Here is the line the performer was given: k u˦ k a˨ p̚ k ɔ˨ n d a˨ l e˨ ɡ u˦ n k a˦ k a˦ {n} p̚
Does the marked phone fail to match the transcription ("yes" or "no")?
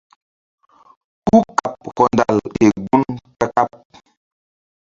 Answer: yes